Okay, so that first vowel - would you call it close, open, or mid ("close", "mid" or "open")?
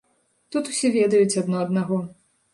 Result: close